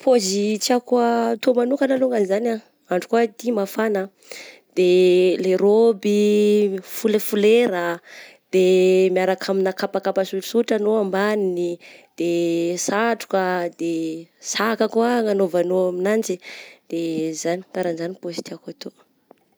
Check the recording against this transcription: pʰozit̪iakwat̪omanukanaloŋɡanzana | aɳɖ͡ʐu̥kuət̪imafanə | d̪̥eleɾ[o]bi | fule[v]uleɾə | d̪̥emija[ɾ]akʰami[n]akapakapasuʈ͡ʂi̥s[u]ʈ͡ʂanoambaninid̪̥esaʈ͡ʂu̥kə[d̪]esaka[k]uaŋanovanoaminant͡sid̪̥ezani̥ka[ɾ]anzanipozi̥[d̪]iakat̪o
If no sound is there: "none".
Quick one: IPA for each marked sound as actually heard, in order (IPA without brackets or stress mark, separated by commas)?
o, f, ɾ, n, u, d̪, k, ɾ, t̪